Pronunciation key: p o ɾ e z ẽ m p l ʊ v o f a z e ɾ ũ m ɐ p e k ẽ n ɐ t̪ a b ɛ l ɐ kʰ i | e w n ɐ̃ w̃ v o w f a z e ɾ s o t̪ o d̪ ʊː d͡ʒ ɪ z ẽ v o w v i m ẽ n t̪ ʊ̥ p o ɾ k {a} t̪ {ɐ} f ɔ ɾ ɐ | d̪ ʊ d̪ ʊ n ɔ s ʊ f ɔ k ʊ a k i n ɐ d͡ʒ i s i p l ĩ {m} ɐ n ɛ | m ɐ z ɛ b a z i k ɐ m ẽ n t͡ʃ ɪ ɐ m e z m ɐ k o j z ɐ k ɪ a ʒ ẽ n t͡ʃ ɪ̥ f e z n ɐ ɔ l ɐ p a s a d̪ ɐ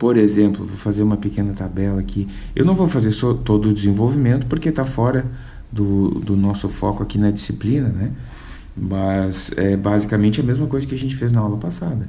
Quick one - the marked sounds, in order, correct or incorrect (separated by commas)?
incorrect, incorrect, incorrect